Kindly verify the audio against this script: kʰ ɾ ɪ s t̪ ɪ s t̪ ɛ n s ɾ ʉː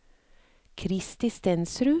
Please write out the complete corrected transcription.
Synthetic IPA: kʰ ɾ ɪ s t̪ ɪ s t̪ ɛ n s ɾ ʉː